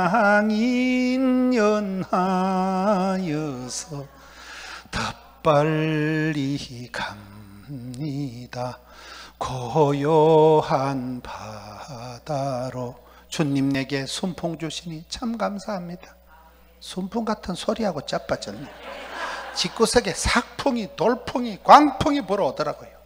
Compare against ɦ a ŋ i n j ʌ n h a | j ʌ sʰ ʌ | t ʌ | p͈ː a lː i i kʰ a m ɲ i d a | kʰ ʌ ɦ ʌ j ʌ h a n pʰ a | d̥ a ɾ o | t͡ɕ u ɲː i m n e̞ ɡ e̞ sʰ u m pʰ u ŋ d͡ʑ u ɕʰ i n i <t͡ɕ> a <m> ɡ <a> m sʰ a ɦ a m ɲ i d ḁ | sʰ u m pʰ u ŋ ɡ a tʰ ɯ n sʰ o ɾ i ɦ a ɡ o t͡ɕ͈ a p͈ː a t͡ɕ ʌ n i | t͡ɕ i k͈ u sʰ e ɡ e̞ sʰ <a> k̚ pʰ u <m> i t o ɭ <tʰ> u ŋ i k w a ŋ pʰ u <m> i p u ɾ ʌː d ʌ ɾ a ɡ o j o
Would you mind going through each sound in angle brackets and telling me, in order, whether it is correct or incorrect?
incorrect: t͡ɕʰ, correct, correct, correct, incorrect: ŋ, incorrect: pʰ, incorrect: ŋ

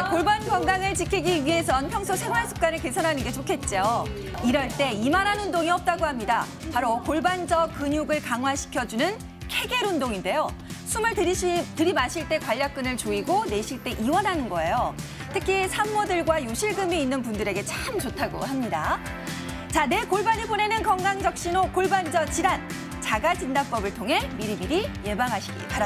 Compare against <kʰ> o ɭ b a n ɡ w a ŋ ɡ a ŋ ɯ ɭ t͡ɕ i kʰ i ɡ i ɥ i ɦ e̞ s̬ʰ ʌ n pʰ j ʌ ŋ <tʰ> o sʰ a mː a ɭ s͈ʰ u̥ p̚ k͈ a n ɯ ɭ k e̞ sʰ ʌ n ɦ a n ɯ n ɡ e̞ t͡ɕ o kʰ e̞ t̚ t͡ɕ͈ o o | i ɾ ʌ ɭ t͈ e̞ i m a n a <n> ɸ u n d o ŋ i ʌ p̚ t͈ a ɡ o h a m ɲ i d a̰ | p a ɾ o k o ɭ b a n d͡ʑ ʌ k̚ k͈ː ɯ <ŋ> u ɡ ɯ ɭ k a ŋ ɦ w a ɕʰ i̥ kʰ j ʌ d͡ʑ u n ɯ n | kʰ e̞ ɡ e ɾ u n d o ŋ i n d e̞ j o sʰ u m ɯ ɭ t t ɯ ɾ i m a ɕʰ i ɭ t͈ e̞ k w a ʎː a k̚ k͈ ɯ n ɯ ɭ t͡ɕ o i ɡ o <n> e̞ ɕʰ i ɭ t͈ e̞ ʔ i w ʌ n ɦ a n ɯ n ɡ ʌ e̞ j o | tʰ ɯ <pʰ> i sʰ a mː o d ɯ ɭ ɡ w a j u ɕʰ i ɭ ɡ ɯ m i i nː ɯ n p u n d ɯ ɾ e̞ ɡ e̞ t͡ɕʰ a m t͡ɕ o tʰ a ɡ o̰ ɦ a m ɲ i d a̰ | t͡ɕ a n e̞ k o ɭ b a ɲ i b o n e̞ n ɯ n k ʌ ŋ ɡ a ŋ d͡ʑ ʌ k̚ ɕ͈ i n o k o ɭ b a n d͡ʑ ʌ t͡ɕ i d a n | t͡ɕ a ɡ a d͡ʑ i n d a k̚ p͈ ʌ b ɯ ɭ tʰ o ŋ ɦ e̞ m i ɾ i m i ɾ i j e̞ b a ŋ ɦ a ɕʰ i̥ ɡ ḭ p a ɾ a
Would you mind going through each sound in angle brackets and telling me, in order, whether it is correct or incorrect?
incorrect: k, incorrect: sʰ, correct, incorrect: ɲ, correct, incorrect: kʰ

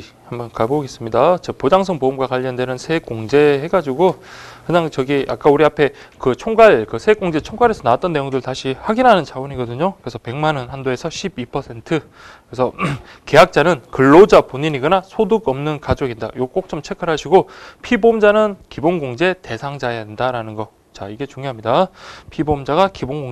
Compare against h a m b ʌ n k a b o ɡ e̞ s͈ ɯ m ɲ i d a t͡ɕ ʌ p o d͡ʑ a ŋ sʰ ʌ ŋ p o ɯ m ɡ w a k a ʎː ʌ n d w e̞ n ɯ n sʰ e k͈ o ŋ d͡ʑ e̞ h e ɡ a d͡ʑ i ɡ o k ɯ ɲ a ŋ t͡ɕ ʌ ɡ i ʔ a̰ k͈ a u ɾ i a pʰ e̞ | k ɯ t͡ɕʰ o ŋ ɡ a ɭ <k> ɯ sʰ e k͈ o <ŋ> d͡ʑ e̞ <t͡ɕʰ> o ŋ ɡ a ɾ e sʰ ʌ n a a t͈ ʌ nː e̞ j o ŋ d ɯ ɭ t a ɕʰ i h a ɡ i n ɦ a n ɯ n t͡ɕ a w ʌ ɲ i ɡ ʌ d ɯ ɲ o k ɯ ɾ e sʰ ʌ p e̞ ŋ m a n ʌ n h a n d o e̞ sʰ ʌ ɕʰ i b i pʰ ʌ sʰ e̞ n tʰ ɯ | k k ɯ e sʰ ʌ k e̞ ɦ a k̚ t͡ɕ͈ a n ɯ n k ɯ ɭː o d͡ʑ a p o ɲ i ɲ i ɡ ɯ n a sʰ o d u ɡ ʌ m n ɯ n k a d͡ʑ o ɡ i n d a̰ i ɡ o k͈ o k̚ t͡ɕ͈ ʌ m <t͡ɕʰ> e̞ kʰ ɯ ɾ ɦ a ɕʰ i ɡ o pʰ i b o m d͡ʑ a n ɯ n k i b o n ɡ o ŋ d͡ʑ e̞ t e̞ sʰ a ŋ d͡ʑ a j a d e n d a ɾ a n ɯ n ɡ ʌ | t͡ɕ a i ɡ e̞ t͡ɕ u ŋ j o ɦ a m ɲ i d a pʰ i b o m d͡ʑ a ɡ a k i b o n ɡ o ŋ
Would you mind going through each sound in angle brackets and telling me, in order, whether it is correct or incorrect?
correct, correct, correct, correct

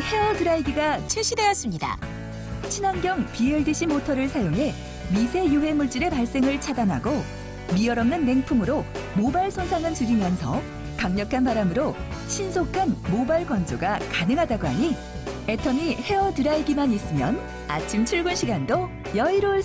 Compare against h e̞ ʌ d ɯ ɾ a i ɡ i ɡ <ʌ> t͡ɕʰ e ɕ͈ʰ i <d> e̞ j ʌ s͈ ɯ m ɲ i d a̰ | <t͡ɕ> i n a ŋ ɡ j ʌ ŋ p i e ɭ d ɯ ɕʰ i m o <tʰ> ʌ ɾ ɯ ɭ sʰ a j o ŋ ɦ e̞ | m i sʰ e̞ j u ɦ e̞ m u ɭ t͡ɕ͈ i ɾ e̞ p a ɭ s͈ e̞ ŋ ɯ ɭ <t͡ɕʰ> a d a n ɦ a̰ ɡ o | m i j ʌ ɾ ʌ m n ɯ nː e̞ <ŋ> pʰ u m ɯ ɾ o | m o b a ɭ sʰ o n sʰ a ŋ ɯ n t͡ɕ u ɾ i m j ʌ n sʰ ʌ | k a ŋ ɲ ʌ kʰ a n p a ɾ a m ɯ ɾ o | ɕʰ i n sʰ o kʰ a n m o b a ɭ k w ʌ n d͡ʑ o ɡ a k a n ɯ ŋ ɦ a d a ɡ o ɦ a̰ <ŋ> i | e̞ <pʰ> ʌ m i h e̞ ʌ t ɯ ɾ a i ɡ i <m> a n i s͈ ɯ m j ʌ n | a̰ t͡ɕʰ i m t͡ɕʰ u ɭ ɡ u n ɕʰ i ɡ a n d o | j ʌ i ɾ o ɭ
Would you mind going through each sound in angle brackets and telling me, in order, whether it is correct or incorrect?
incorrect: a, correct, incorrect: t͡ɕʰ, correct, correct, correct, incorrect: ɲ, incorrect: tʰ, correct

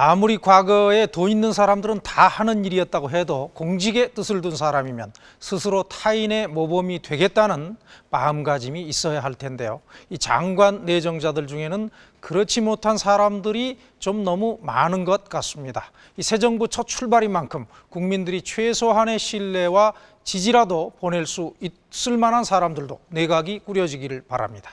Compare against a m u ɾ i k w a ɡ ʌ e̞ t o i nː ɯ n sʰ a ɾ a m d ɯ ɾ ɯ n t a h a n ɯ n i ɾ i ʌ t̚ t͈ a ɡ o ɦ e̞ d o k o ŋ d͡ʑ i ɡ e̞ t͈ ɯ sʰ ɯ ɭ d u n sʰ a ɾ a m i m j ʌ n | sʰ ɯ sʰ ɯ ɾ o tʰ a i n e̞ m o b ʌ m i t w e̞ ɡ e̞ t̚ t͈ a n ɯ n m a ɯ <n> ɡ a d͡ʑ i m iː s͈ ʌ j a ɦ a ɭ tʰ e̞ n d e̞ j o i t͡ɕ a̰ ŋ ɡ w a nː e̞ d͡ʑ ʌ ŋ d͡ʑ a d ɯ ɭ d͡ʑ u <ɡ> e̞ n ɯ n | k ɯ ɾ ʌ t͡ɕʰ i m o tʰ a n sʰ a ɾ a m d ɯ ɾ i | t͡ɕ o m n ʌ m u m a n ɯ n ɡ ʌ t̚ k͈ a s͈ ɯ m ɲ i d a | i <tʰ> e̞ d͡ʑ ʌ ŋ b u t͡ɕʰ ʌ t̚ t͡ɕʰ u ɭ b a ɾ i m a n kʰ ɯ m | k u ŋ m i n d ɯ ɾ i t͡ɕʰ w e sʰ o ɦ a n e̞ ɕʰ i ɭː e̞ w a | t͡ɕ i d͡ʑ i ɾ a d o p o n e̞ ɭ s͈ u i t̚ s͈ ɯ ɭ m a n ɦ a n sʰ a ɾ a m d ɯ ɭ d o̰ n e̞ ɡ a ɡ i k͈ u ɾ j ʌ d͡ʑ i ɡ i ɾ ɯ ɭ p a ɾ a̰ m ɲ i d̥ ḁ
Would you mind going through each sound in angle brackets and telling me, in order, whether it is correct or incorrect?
incorrect: m, incorrect: ŋ, incorrect: sʰ

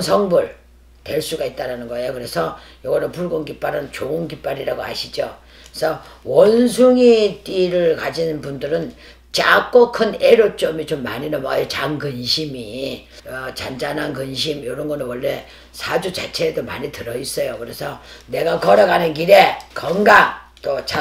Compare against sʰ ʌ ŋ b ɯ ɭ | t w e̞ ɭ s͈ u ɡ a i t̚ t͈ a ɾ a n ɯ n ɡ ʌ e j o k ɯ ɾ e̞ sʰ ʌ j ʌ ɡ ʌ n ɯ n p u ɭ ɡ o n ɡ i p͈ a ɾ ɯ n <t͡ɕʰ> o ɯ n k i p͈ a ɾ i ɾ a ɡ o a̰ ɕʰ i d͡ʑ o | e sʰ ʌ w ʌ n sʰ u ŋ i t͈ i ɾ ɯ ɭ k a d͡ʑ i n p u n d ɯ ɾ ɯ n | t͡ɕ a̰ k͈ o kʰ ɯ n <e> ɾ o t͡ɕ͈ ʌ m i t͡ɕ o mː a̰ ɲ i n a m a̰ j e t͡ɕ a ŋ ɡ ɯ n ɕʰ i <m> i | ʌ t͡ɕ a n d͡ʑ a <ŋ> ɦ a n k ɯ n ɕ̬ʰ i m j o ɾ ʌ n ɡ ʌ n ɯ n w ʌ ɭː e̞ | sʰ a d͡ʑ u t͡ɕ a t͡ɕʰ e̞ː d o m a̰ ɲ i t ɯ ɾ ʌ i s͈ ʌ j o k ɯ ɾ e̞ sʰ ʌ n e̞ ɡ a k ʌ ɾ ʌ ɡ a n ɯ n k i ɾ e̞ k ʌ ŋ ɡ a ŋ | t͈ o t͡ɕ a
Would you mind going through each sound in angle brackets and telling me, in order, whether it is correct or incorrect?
incorrect: t͡ɕ, correct, correct, incorrect: n

